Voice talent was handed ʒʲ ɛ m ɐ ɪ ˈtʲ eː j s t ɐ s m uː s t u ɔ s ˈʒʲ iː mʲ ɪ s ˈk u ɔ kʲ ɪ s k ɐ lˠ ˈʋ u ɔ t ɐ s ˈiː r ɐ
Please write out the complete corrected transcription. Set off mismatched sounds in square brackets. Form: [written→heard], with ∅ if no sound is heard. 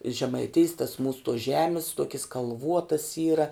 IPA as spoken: ʒʲ ɛ m ɐ ɪ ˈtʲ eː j s t ɐ s m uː s t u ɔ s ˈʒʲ [iː→æː] mʲ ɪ s [ˈk→ˈt] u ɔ kʲ ɪ s k ɐ lˠ ˈʋ u ɔ t ɐ s ˈiː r ɐ